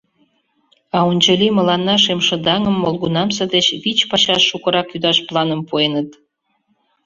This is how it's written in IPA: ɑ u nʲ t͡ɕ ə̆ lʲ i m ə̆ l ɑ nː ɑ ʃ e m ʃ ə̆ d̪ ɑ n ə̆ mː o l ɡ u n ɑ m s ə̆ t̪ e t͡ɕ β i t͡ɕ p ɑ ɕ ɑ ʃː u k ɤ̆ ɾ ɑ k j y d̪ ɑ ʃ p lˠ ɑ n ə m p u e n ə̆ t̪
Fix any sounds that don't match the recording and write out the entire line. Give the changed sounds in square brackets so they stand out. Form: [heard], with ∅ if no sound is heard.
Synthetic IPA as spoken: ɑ u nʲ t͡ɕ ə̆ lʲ i m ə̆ l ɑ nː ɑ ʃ e m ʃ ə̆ d̪ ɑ [ŋ] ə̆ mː o l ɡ u n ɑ m s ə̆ [d̪] e t͡ɕ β i t͡ɕ p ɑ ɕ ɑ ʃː u k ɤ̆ ɾ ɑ k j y d̪ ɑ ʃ p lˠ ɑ n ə m p u e n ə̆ t̪